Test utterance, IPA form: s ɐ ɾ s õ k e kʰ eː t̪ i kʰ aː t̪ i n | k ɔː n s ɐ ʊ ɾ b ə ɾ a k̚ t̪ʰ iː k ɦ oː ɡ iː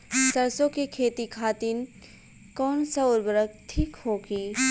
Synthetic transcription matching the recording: s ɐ ɾ s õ k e kʰ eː t̪ i kʰ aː t̪ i n | k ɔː n s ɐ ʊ ɾ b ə ɾ ə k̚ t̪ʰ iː k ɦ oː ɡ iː